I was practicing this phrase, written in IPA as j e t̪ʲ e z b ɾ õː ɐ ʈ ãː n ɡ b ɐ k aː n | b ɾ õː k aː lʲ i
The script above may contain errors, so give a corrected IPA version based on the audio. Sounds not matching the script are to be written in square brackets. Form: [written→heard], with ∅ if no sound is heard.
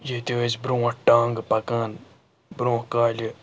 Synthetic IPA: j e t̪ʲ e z b ɾ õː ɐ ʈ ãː [n→ŋ] ɡ [b→p] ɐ k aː n | b ɾ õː k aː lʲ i

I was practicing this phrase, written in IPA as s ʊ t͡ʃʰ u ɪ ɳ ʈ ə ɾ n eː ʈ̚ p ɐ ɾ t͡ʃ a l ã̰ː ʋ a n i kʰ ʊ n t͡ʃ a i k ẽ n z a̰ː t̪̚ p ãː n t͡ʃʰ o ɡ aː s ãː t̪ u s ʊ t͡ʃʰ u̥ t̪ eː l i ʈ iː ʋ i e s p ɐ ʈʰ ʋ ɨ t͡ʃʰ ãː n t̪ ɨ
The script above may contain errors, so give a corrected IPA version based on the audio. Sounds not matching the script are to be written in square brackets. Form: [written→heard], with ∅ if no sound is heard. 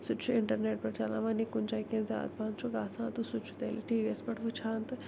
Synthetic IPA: s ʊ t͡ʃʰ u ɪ ɳ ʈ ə ɾ n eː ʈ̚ p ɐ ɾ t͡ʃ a l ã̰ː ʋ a n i [kʰ→k] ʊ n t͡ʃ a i k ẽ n z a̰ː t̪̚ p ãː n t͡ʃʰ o ɡ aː s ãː t̪ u s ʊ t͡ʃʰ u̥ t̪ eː l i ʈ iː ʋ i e s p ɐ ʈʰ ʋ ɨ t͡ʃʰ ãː n t̪ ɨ

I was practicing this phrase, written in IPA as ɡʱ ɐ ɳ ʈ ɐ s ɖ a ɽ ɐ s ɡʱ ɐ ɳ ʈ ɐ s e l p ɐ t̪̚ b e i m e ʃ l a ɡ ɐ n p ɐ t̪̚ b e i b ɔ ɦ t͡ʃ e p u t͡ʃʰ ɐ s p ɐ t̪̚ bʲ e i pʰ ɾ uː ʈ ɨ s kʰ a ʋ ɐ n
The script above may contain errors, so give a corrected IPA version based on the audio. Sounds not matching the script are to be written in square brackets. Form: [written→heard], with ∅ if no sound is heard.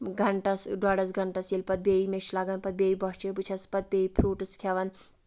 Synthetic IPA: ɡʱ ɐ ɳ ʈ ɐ s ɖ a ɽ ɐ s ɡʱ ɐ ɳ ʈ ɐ s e l p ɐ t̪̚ b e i m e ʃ l a ɡ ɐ n p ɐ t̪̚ b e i b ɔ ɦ t͡ʃ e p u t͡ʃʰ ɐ s p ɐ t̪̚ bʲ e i pʰ ɾ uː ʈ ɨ s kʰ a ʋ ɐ n

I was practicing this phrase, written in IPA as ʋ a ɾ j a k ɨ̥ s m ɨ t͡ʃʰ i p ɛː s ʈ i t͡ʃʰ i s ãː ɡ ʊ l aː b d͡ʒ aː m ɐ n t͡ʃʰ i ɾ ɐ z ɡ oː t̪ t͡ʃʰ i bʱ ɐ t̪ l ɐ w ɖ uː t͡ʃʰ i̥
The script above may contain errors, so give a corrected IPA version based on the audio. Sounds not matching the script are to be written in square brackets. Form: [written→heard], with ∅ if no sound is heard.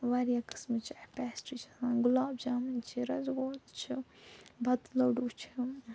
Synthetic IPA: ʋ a ɾ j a k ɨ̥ s m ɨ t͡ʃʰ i p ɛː s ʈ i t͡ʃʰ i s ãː ɡ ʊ l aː b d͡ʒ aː m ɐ n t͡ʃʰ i ɾ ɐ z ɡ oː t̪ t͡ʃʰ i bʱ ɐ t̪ l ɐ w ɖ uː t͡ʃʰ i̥

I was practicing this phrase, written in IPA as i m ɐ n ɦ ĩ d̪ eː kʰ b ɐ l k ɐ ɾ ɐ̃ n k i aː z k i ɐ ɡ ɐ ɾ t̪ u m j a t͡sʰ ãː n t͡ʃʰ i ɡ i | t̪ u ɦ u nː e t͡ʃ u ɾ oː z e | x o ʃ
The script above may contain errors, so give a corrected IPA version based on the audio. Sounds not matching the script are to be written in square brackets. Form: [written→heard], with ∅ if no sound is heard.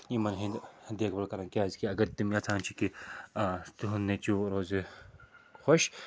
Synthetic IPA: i m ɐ n ɦ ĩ d̪ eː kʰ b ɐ l k ɐ ɾ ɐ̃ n k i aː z k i ɐ ɡ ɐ ɾ t̪ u m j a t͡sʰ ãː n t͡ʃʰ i [ɡ→k] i | t̪ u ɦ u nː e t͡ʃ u ɾ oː z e | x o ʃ

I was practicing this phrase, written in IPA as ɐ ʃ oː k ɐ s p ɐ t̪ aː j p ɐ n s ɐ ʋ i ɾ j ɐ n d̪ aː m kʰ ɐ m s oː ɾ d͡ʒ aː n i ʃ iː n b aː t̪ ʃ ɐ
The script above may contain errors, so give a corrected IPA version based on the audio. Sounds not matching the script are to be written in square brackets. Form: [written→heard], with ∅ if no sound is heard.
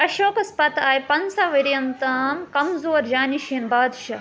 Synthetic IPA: ɐ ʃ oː k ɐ s p ɐ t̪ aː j p ɐ n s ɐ ʋ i ɾ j ɐ n [d̪→t̪] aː m [kʰ→k] ɐ m [s→z] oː ɾ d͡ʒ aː n i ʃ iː n b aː [t̪→d̪] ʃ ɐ

